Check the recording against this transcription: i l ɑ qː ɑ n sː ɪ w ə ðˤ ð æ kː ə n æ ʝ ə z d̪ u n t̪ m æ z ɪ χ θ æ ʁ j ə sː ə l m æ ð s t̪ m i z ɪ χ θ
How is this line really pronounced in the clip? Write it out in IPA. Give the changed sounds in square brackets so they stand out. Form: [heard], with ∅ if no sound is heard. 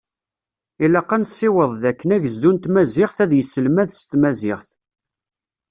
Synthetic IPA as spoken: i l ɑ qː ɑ n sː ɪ w ə ðˤ ð æ kː ə n æ ʝ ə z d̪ u n t̪ m æ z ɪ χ θ æ [ð] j ə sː ə l m æ ð s t̪ m [æ] z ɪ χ θ